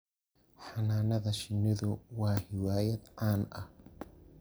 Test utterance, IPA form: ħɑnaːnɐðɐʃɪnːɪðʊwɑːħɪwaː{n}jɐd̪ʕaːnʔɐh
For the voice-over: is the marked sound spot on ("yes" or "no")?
no